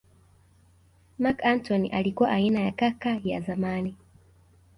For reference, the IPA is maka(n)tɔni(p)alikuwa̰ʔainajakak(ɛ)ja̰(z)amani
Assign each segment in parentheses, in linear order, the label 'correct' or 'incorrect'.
correct, incorrect, incorrect, correct

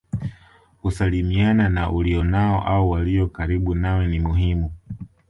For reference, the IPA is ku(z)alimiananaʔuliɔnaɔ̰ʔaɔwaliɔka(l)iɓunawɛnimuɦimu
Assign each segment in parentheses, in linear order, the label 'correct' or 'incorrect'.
incorrect, incorrect

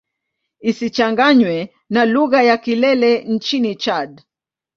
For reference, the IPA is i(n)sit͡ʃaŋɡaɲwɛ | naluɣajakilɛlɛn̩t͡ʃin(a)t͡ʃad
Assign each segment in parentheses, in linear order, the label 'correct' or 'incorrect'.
incorrect, incorrect

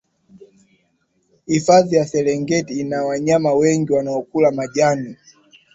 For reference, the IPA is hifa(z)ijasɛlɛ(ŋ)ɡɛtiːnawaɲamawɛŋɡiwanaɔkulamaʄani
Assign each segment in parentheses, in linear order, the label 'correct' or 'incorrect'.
incorrect, correct

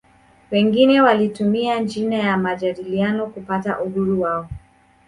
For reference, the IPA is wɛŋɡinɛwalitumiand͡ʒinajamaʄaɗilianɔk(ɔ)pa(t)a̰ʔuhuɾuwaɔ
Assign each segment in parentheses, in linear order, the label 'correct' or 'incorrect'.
incorrect, correct

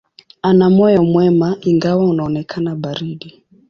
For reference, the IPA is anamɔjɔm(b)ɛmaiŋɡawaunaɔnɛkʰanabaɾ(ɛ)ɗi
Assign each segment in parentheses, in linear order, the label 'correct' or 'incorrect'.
incorrect, incorrect

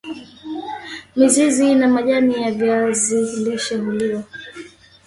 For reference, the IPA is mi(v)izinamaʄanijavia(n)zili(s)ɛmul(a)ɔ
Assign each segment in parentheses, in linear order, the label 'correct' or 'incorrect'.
incorrect, incorrect, incorrect, incorrect

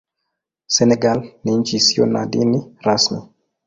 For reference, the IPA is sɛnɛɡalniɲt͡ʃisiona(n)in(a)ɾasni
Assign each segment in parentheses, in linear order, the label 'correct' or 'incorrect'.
incorrect, incorrect

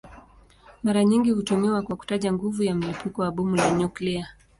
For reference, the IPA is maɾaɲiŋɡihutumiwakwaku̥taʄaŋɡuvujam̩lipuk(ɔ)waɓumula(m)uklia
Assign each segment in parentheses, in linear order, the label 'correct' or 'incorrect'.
correct, incorrect

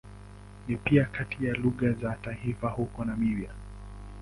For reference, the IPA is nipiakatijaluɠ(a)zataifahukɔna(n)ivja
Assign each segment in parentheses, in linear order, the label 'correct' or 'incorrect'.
correct, incorrect

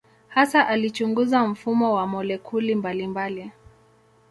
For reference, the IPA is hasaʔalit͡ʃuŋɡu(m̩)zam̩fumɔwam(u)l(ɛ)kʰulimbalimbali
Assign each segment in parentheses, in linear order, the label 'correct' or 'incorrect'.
incorrect, incorrect, correct

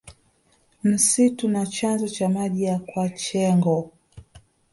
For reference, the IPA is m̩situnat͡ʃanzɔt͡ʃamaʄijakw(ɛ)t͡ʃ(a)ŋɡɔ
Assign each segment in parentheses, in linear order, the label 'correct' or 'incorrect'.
incorrect, incorrect

